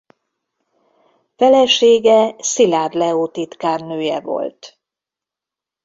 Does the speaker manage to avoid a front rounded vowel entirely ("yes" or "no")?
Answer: no